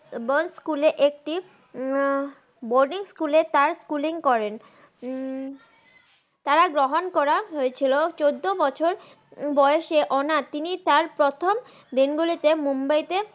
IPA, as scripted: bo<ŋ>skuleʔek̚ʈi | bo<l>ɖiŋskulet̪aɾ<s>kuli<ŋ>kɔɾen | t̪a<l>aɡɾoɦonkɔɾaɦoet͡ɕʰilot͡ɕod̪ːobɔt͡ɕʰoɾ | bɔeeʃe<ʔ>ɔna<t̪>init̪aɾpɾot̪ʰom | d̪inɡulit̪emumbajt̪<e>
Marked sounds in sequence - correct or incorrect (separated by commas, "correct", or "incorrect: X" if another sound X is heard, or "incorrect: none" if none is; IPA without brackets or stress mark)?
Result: incorrect: n, incorrect: ɾ, correct, correct, incorrect: ɾ, correct, correct, correct